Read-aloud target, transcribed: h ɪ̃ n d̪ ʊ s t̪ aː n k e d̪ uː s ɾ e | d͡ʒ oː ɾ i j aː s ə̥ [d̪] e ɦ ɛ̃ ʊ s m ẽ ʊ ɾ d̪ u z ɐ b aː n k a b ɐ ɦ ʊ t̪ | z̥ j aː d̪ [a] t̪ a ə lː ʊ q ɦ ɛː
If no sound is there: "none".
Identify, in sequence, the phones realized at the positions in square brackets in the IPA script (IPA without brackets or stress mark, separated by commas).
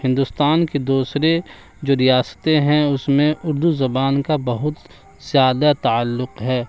t̪, a